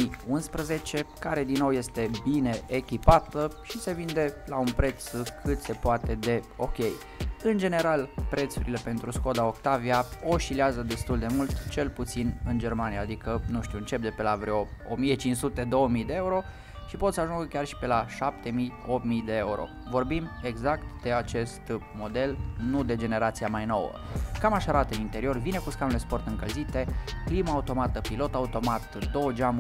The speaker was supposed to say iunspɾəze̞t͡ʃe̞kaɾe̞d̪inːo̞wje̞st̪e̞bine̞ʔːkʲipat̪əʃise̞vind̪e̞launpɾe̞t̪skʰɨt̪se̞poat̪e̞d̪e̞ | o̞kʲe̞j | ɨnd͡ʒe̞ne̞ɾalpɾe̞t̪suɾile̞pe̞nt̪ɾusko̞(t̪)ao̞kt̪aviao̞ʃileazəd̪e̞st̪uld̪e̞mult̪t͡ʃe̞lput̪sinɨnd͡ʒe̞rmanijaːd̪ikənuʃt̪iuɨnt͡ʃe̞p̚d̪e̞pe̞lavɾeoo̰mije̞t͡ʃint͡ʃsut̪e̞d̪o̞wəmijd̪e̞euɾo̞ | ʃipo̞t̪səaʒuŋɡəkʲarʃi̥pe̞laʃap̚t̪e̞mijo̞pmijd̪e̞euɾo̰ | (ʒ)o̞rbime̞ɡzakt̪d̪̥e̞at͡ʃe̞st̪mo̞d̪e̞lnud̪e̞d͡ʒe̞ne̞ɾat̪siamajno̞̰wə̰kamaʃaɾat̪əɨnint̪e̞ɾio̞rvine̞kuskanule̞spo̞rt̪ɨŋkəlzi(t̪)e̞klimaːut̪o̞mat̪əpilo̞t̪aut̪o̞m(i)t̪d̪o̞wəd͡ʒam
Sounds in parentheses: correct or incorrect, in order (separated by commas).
incorrect, incorrect, correct, incorrect